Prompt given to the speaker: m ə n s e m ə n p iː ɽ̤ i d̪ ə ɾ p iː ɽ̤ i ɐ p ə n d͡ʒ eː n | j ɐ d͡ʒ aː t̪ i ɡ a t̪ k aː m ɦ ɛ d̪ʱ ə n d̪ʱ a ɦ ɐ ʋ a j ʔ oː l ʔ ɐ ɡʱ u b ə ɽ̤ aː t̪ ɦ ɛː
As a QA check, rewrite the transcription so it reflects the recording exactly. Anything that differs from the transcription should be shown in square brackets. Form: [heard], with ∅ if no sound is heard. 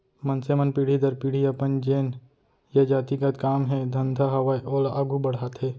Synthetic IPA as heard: m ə n s e m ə n p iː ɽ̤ i d̪ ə ɾ p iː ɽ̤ i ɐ p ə n d͡ʒ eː n | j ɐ d͡ʒ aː t̪ i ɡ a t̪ k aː m ɦ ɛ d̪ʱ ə n d̪ʱ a ɦ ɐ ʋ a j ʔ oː l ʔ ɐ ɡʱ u b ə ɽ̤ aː t̪ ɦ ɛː